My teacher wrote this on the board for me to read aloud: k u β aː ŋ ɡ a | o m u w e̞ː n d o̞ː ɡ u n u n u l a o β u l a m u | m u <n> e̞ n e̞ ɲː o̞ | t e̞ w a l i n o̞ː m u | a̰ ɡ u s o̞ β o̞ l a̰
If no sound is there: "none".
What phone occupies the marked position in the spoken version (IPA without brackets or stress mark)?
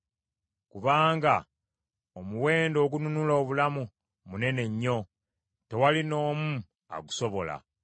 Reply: n